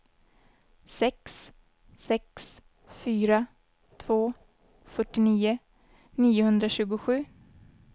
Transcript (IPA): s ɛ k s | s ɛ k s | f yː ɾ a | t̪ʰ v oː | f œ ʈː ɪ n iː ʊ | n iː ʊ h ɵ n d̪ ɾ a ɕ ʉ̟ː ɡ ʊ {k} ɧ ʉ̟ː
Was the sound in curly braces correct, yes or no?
no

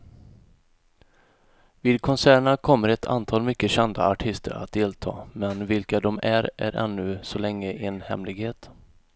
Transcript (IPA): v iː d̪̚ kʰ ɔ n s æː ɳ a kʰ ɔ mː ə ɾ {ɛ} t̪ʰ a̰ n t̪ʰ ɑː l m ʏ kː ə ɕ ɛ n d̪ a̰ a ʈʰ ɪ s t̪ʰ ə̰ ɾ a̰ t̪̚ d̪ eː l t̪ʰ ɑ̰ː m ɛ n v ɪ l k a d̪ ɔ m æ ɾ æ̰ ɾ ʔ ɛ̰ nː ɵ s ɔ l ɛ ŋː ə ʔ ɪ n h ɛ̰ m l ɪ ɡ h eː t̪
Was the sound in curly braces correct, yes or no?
yes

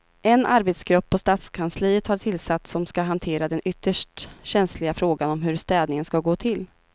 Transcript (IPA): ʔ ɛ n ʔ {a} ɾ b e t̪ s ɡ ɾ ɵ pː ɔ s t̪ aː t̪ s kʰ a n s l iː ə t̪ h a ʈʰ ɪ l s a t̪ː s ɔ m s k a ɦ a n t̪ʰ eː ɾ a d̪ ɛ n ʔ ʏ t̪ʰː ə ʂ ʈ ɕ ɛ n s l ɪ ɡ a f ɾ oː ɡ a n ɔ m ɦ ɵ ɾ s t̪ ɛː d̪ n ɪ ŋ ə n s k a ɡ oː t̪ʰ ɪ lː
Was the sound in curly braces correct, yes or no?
yes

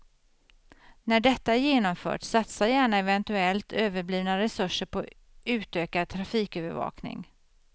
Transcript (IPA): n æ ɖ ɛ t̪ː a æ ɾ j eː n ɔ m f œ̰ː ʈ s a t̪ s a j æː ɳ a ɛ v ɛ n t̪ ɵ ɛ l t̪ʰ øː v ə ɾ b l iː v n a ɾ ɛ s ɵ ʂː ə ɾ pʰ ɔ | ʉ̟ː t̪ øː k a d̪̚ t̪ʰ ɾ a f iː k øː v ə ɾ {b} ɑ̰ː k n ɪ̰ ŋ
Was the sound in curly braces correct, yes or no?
no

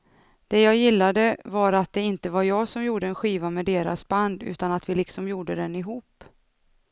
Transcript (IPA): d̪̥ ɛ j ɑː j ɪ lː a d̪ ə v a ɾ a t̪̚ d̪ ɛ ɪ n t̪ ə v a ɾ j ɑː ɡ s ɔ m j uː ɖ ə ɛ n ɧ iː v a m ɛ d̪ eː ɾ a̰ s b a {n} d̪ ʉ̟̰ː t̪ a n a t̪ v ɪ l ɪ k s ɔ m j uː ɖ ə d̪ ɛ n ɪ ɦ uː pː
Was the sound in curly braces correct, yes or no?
yes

